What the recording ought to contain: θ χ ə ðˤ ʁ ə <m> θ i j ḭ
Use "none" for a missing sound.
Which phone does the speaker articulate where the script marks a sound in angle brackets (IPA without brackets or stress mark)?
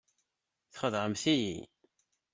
m